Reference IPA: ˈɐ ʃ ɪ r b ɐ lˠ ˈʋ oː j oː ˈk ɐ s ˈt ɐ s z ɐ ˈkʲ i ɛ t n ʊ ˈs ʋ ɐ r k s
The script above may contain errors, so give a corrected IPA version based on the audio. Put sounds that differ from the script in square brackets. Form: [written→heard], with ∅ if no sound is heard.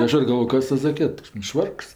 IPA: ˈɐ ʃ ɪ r [b→ɡ] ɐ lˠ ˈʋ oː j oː ˈk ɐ s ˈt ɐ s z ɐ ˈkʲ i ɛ t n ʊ [ˈs→ˈʃ] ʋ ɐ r k s